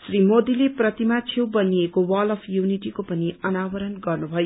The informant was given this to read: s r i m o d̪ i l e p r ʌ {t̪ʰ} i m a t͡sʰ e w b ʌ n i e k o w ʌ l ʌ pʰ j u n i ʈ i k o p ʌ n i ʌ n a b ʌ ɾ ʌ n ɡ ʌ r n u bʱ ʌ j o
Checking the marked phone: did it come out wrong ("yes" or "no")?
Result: yes